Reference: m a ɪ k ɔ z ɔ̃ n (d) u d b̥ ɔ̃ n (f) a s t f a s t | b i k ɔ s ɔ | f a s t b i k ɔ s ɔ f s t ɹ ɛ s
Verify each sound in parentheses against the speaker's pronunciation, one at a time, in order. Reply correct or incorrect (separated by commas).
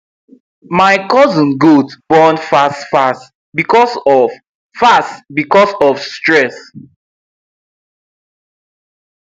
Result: incorrect, correct